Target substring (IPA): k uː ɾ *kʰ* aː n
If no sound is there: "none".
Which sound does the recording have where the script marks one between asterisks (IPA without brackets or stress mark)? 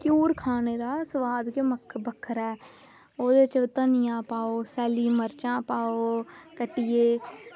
kʰ